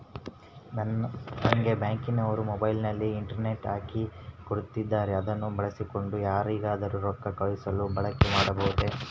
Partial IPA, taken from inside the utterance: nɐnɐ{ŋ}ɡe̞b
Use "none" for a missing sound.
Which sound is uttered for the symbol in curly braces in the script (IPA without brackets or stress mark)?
ŋ